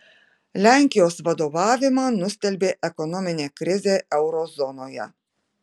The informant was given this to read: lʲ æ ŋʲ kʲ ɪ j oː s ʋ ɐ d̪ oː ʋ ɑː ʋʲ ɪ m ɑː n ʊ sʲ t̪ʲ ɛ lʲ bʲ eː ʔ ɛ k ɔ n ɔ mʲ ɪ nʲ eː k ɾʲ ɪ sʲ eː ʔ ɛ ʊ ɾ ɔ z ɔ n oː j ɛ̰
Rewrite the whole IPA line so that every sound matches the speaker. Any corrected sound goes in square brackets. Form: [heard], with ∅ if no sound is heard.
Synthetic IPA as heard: lʲ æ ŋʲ kʲ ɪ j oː s ʋ ɐ d̪ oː ʋ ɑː ʋʲ ɪ m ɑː n ʊ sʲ t̪ʲ ɛ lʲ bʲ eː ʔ ɛ k ɔ n ɔ mʲ ɪ nʲ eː k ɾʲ ɪ [zʲ] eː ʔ ɛ ʊ ɾ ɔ z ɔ n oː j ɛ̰